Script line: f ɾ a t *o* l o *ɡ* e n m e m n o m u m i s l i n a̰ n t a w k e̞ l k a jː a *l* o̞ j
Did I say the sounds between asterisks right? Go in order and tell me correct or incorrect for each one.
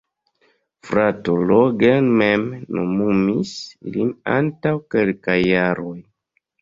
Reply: correct, correct, incorrect: ɾ

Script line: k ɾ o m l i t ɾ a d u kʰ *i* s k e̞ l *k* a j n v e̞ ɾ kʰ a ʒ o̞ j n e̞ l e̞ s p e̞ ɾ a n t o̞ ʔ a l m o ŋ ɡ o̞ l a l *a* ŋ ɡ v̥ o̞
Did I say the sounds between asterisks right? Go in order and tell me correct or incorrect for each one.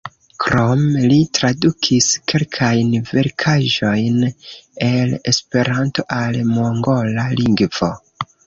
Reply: correct, incorrect: kʰ, incorrect: i

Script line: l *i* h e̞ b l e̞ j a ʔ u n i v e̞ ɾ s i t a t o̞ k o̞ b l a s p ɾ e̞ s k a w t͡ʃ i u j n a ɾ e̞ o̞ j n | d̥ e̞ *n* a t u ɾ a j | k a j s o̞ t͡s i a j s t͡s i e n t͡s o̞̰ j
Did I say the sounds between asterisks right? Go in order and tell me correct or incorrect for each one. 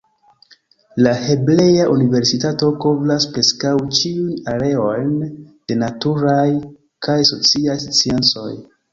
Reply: incorrect: a, correct

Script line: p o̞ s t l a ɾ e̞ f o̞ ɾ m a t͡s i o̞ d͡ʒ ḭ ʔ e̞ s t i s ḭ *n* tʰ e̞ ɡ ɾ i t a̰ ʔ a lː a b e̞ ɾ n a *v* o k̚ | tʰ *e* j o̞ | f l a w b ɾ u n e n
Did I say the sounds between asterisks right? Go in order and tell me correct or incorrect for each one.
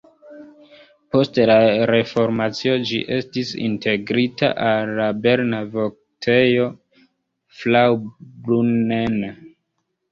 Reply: correct, correct, correct

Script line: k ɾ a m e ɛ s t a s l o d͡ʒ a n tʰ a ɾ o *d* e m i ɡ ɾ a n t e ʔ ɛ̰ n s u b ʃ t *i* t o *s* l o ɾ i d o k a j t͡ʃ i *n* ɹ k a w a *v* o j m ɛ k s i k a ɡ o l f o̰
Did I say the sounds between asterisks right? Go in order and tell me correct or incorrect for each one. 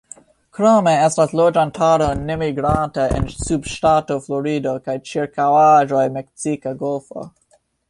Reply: incorrect: n, incorrect: a, incorrect: f, incorrect: none, incorrect: ʒ

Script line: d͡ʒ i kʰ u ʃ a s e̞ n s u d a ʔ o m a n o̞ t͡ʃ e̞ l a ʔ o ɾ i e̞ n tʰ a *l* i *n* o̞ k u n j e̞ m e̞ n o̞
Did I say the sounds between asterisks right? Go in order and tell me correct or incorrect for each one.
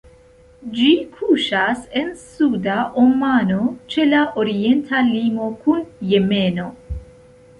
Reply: correct, incorrect: m

